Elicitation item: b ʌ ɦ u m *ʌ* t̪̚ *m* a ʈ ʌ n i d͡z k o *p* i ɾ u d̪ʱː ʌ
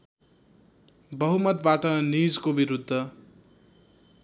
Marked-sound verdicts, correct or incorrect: correct, incorrect, incorrect

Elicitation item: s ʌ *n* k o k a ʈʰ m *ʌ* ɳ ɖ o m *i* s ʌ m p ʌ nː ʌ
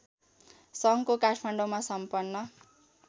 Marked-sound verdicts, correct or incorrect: incorrect, incorrect, incorrect

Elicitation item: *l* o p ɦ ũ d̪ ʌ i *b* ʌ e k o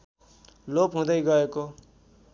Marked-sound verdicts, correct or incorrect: correct, incorrect

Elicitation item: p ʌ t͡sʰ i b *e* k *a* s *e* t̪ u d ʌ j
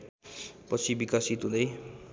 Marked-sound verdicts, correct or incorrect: incorrect, correct, incorrect

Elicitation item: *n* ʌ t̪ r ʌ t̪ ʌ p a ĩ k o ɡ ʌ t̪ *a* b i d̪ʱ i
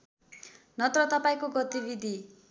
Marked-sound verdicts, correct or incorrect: correct, incorrect

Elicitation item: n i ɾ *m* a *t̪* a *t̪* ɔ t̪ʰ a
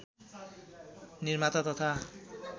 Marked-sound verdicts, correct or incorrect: correct, correct, correct

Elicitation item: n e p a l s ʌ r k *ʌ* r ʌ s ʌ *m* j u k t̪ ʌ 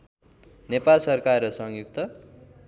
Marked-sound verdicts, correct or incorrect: incorrect, incorrect

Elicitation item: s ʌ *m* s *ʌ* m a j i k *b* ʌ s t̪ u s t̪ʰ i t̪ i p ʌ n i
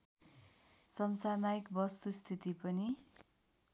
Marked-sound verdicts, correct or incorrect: correct, incorrect, correct

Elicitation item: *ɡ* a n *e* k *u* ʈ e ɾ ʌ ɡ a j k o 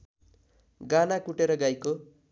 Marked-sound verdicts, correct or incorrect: correct, incorrect, correct

